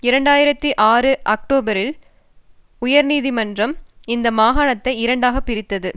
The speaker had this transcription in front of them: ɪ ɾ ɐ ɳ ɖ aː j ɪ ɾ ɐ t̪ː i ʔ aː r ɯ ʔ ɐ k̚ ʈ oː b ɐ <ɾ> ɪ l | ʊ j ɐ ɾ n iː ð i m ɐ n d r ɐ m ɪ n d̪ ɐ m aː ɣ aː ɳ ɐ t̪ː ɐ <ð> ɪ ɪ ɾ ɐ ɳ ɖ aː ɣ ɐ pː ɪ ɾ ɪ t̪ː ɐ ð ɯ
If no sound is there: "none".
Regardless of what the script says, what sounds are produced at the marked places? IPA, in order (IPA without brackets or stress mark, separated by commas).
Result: ɾ, none